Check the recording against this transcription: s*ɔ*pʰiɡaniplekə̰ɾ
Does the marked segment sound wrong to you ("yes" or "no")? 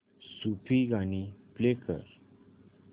yes